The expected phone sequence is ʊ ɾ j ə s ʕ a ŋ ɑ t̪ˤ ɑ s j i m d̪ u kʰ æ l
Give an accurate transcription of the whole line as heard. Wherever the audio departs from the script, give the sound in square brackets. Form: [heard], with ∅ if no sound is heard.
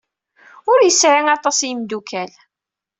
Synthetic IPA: ʊ ɾ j ə s ʕ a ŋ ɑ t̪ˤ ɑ s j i m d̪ u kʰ æ l